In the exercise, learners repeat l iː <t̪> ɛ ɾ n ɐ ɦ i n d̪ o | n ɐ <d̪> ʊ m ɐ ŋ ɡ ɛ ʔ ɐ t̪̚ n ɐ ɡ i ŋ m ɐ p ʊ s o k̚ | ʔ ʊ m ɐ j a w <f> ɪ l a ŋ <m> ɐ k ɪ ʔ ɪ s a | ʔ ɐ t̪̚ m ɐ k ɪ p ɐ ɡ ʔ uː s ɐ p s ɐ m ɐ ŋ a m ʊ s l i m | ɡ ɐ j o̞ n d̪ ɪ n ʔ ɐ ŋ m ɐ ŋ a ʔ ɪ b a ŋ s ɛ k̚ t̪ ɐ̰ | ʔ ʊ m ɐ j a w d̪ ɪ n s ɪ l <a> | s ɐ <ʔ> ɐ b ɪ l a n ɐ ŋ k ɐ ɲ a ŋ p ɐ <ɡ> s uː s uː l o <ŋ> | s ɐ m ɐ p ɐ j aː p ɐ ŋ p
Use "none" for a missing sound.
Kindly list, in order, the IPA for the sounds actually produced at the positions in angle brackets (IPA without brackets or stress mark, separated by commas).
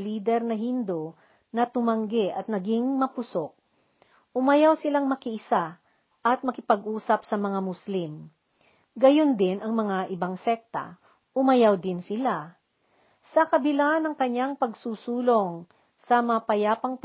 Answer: d̪, t̪, s, m, a, k, ɡ, ŋ